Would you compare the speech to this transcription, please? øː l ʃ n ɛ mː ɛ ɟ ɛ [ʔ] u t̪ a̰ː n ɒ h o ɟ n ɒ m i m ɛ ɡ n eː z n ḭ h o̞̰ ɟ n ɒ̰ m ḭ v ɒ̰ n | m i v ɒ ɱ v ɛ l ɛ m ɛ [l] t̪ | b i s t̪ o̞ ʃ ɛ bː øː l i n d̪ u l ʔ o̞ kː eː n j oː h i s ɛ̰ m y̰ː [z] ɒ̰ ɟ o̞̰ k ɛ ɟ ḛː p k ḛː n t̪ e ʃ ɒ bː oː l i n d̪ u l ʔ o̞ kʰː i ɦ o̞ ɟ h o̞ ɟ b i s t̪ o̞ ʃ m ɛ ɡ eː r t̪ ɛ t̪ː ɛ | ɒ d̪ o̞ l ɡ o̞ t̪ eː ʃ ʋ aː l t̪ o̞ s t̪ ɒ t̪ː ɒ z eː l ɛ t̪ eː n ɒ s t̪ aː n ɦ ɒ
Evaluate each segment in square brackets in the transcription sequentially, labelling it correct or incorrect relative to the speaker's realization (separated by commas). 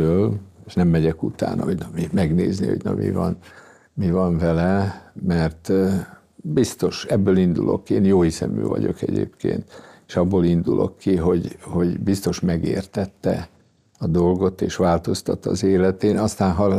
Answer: incorrect, incorrect, incorrect